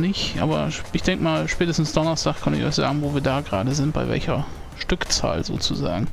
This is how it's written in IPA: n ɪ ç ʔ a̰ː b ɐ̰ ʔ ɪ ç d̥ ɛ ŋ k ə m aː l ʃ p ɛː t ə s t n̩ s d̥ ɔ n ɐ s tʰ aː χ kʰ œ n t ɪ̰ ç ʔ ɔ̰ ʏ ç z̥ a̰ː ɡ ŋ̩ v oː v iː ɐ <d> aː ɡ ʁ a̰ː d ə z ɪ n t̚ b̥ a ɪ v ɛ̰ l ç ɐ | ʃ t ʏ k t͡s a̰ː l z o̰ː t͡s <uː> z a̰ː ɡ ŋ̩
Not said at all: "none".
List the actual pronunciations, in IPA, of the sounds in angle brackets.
d, u

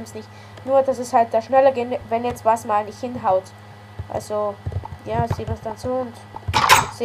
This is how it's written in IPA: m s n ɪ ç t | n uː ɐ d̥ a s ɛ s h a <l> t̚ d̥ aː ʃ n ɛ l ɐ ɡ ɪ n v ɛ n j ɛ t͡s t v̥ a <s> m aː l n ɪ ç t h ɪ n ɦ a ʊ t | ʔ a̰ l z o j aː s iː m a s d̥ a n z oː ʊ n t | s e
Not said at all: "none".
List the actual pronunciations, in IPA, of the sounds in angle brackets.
l, s

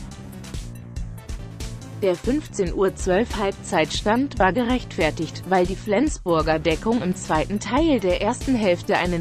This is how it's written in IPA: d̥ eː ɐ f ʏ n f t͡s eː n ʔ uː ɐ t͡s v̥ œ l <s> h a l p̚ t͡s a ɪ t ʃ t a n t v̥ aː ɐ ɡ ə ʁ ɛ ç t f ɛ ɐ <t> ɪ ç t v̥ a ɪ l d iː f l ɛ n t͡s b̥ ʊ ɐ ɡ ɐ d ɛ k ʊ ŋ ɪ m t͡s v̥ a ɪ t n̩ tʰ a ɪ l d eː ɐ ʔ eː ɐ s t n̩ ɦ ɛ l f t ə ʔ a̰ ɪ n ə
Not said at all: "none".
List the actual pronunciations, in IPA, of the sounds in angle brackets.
f, t

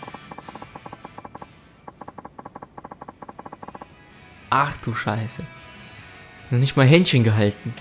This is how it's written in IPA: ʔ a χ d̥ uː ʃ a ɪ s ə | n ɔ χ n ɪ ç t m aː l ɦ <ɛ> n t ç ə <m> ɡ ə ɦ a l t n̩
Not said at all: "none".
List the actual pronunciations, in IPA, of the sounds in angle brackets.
ɛ, n

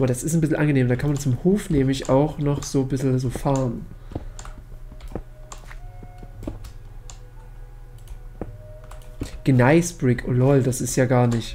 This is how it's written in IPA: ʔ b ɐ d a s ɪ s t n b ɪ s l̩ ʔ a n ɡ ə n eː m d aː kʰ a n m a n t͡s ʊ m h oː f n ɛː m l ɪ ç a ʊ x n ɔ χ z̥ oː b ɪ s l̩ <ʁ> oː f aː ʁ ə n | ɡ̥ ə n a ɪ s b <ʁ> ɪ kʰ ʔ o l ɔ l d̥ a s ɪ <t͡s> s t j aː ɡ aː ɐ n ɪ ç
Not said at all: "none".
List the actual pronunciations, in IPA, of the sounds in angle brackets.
z, ʁ, none

